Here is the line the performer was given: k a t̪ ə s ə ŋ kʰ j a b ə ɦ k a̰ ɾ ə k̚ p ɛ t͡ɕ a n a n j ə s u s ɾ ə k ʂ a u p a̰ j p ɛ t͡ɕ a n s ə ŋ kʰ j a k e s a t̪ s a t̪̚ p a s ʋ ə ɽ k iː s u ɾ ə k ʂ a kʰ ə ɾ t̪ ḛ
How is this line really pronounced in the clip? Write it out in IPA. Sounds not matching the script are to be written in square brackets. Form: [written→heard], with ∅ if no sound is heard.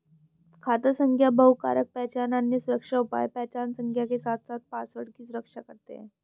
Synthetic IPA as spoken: [k→kʰ] a t̪ ə s ə ŋ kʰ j a b ə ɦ k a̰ ɾ ə k̚ p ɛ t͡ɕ a n a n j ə s u [s→∅] ɾ ə k ʂ a u p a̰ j p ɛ t͡ɕ a n s ə ŋ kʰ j a k e s a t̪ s a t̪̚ p a s ʋ ə ɽ k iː s u ɾ ə k ʂ a [kʰ→k] ə ɾ t̪ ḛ

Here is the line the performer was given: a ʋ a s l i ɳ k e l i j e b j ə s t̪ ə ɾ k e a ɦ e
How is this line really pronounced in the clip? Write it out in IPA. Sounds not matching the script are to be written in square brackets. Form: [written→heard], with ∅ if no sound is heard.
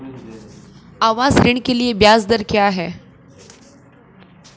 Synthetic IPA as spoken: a ʋ a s [l→ɾ] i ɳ k e l i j e b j [ə→a] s [t̪→d̪] ə ɾ k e a ɦ e

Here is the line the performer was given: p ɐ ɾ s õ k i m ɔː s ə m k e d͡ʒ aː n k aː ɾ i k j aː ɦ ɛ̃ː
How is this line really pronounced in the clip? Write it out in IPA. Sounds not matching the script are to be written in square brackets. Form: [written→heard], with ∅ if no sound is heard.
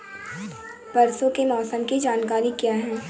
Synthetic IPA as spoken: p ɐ ɾ s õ k [i→e] m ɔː s ə m k [e→i] d͡ʒ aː n k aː ɾ i k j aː ɦ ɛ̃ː

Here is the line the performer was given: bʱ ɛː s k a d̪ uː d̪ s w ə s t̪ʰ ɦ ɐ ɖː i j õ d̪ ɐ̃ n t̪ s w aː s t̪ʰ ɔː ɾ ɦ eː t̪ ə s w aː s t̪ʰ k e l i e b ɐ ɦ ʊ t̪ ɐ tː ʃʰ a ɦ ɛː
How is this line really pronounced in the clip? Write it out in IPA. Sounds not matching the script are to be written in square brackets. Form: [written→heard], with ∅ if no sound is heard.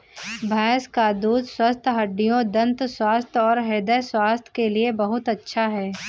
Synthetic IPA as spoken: bʱ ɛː s k a d̪ uː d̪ s w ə s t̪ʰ ɦ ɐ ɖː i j õ d̪ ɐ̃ n t̪ s w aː s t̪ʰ ɔː ɾ ɦ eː [t̪→d̪] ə s w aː s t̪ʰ k e l i e b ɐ ɦ ʊ t̪ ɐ tː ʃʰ a ɦ ɛː

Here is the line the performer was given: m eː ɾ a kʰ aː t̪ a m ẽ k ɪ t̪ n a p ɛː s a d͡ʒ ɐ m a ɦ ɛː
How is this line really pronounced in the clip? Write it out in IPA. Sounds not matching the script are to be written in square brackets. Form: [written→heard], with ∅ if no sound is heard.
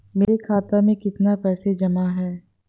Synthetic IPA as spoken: m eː ɾ [a→e] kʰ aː t̪ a m ẽ k ɪ t̪ n a p ɛː s [a→e] d͡ʒ ɐ m a ɦ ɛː

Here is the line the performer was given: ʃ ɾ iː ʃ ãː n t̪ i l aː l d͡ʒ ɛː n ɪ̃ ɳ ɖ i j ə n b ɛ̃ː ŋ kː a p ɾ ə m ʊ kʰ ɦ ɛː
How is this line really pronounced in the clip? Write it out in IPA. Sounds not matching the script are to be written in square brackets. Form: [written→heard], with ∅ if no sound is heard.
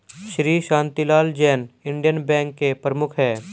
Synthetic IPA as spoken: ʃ ɾ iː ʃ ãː n t̪ i l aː l d͡ʒ ɛː n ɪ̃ ɳ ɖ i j ə n b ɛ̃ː ŋ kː [a→e] p ɾ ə m ʊ kʰ ɦ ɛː

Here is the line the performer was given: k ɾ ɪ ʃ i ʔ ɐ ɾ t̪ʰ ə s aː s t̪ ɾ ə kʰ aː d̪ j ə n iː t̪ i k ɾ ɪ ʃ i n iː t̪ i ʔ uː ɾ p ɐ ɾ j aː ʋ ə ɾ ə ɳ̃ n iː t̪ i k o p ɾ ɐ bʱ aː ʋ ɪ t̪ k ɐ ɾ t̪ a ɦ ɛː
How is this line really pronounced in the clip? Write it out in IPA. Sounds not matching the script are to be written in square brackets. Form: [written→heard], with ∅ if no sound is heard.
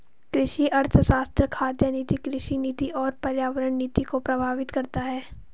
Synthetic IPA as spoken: k ɾ ɪ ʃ i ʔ ɐ ɾ t̪ʰ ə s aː s t̪ ɾ ə kʰ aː d̪ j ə n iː t̪ i k ɾ ɪ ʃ i n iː t̪ i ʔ [uː→ɔː] ɾ p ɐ ɾ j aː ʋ ə ɾ ə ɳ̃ n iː t̪ i k o p ɾ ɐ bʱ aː ʋ ɪ t̪ k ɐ ɾ t̪ a ɦ ɛː

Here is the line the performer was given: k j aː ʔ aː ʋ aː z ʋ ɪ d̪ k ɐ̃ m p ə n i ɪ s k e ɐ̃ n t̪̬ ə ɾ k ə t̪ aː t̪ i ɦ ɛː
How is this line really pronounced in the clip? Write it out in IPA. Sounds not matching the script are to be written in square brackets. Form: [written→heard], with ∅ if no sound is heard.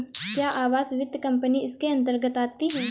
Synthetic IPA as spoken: k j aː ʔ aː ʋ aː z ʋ ɪ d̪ k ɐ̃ m p ə n i ɪ s k e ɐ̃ n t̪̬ ə ɾ [k→ɡ] ə t̪ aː t̪ i ɦ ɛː

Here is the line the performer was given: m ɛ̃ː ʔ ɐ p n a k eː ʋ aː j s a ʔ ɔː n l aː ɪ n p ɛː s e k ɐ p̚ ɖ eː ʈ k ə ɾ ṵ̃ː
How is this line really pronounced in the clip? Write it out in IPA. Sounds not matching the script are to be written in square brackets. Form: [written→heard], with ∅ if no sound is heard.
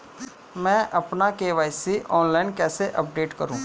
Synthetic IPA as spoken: m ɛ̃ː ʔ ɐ p n a k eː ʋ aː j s [a→i] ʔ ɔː n l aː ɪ n [p→k] ɛː s e [k→ʔ] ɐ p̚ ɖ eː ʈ k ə ɾ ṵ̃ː

